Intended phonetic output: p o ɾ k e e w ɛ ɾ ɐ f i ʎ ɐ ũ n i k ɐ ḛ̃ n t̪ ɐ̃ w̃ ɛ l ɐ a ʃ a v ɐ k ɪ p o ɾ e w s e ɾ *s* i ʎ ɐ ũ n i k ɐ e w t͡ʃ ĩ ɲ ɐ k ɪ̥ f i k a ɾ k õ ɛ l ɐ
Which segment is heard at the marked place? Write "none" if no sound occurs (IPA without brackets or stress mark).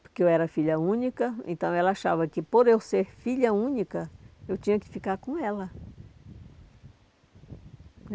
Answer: f